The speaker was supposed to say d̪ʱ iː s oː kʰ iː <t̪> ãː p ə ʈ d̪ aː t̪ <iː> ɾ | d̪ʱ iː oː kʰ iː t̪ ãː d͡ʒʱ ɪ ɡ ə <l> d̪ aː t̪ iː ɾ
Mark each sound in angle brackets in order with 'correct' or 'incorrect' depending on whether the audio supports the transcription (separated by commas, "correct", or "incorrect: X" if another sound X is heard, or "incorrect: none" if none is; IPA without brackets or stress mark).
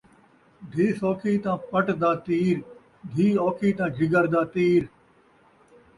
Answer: correct, correct, incorrect: ɾ